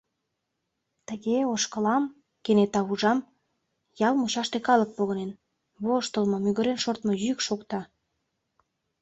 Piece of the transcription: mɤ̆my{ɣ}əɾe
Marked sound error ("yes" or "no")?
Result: no